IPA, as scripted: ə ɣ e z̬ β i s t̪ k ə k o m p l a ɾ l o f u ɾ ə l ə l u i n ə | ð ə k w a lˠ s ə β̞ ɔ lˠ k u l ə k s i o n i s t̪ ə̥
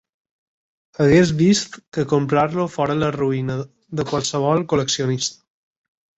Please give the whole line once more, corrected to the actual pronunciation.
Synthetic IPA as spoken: ə ɣ e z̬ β i s t̪ k ə k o m p ɾ a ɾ l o f ɔ ɾ ə l ə r u i n ə | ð ə k w a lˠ s ə β̞ ɔ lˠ k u l ə k s i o n i s t̪ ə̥